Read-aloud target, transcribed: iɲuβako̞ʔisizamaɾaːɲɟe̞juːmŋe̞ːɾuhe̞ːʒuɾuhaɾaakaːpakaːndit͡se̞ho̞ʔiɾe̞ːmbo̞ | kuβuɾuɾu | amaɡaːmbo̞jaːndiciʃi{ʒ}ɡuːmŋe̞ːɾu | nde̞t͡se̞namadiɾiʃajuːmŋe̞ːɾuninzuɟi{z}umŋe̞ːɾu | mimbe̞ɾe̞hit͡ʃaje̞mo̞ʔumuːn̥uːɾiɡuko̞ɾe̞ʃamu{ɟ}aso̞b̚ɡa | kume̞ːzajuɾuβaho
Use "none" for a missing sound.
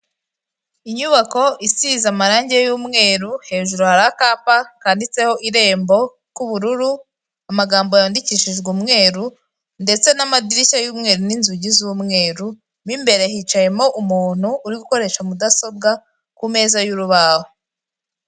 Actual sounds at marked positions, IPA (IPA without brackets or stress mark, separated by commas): ʒ, z, d